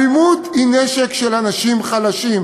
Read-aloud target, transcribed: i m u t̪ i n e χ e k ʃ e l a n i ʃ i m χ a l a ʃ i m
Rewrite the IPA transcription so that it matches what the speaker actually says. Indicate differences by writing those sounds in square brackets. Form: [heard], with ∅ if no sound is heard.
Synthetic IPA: i m u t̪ i n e [ʃ] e k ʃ e l a n [a] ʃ i m χ a l a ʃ i m